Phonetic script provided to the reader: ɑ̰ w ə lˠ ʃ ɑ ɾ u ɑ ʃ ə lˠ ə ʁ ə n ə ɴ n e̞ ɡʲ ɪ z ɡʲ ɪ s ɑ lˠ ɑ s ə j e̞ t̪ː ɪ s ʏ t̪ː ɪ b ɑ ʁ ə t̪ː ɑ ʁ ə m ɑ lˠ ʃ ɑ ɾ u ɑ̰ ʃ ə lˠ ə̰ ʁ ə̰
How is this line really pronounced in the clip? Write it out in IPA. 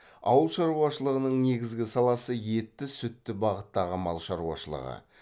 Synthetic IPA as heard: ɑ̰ w ə lˠ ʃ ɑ ɾ u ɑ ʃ ə lˠ ə ʁ ə n ə ɴ n e̞ ɡʲ ɪ z ɡʲ ɪ s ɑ lˠ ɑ s ə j e̞ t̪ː ɪ s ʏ t̪ː ɪ b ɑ ʁ ə t̪ː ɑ ʁ ə m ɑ lˠ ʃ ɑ ɾ u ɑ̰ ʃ ə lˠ ə̰ ʁ ə̰